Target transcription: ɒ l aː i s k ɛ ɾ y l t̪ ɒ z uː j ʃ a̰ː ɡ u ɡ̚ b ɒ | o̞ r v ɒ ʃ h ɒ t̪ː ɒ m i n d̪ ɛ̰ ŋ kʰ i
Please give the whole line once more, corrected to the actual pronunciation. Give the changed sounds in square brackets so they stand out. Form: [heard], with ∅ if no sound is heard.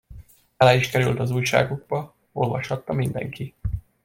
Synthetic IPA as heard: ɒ l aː i [ʃ] k ɛ ɾ y l t̪ ɒ z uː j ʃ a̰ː ɡ u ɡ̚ b ɒ | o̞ [l] v ɒ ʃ h ɒ t̪ː ɒ m i n d̪ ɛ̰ ŋ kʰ i